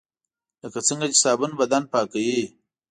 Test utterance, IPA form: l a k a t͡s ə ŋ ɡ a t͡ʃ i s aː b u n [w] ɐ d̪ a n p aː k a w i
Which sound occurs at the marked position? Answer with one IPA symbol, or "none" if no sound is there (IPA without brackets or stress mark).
b